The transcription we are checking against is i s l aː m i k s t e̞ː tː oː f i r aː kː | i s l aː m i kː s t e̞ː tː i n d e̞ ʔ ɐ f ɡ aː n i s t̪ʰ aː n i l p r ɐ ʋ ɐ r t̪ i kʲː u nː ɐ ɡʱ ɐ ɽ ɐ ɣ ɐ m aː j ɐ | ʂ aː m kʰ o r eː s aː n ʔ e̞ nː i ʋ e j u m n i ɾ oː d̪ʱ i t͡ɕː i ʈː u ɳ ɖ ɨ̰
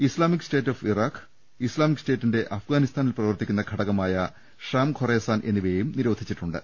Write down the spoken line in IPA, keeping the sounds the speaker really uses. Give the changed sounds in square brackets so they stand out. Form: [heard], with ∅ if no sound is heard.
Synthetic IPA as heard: i s l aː m i k s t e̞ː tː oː f i r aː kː | i s l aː m i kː s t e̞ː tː i n d e̞ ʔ ɐ f ɡ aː n i s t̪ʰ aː n i l p r ɐ ʋ ɐ r t̪ i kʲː u nː ɐ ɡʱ ɐ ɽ ɐ ɣ ɐ m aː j ɐ | ʂ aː m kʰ o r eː s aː n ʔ e̞ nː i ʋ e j u m n i ɾ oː d̪ʱ i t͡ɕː i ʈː u ɳ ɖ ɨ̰